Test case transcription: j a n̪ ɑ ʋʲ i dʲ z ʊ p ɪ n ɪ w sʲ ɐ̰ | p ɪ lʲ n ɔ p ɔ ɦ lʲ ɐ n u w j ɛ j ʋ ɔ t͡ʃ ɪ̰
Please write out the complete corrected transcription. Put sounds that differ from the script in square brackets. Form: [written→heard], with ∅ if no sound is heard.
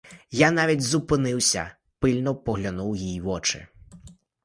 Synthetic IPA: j a n̪ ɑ ʋʲ i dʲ z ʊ p ɪ n ɪ w sʲ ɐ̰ | p ɪ lʲ n ɔ p ɔ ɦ lʲ ɐ n u w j [ɛ→i] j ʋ ɔ t͡ʃ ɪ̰